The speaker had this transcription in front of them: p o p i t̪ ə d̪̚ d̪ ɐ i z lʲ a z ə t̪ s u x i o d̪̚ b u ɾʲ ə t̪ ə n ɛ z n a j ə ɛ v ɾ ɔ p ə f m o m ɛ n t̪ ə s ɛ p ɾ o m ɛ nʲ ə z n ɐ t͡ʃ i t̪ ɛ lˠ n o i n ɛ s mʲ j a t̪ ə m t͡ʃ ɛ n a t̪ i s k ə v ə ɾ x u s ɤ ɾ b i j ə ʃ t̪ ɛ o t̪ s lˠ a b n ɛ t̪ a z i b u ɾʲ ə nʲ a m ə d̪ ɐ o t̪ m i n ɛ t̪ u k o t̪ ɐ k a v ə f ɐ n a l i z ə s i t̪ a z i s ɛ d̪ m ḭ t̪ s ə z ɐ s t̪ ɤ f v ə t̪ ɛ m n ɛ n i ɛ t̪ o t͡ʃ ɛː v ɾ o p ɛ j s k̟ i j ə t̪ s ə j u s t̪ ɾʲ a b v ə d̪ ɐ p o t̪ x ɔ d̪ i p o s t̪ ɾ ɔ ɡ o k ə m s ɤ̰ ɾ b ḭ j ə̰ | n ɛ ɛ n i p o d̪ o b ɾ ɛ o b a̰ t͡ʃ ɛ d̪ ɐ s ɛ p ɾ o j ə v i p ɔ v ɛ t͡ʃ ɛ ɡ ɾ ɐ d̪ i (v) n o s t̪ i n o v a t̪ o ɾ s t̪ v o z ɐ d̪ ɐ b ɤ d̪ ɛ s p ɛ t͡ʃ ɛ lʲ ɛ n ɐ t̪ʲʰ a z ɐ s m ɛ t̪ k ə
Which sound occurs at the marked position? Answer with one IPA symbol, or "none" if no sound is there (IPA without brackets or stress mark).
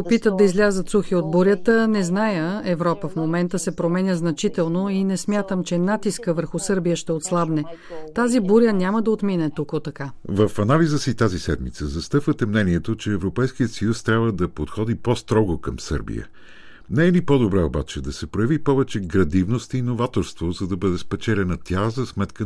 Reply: v